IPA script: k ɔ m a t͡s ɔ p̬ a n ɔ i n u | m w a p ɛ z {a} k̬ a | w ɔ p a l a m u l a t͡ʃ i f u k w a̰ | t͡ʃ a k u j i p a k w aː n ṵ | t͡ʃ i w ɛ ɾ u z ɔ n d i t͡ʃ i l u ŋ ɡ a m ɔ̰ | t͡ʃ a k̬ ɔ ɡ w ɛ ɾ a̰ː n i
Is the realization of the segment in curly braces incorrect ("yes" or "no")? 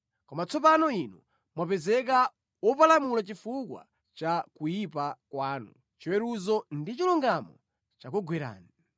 yes